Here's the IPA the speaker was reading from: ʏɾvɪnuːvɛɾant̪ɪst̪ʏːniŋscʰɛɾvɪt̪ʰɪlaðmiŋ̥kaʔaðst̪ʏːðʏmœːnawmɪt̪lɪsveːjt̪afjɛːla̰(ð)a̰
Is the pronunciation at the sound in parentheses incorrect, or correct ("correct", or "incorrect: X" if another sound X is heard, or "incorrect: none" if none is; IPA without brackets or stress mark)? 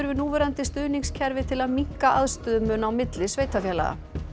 incorrect: ɣ